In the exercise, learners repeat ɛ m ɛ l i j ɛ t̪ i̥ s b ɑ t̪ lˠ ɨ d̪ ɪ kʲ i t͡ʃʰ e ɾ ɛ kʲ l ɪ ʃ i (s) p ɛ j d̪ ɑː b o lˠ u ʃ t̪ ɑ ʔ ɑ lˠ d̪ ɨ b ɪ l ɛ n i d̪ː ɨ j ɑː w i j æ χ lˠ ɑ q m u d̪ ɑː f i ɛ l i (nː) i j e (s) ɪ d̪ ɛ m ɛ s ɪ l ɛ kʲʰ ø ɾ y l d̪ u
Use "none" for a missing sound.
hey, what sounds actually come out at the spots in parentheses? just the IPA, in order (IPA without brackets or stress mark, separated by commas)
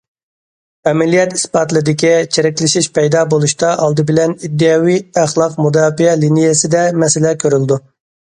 ʃ, n, s